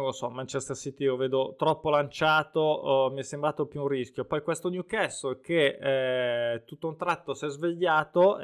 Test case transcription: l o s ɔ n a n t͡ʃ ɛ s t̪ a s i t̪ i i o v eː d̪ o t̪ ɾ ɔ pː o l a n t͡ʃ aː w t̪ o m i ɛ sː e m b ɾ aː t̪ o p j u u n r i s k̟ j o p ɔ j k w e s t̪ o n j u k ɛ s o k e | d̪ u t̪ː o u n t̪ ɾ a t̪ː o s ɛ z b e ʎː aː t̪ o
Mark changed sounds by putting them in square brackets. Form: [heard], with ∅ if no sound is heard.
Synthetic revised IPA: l o s ɔ [m] a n t͡ʃ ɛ s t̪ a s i t̪ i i o v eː d̪ o t̪ ɾ ɔ pː o l a n t͡ʃ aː [∅] t̪ o m i ɛ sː e m b ɾ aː t̪ o p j u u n r i s k̟ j o p ɔ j k w e s t̪ o n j u k ɛ s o k e | [t̪] u t̪ː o u n t̪ ɾ a t̪ː o s ɛ z [v] e ʎː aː t̪ o